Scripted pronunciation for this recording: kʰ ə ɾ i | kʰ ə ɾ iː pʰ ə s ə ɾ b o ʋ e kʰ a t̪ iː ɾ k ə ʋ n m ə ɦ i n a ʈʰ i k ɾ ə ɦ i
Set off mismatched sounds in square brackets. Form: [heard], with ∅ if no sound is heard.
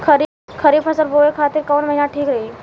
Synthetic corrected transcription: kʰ ə ɾ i | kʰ ə ɾ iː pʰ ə s ə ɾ b o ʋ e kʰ a t̪ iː ɾ k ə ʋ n m ə ɦ i n a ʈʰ [iː] k ɾ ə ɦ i